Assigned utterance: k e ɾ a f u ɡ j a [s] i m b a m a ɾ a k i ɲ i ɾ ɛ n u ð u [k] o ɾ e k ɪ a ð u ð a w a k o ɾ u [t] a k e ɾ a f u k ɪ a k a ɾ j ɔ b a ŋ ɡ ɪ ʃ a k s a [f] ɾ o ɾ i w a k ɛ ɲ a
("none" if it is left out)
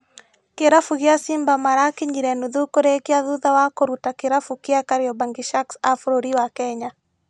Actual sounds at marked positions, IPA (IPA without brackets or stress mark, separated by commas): s, k, t, f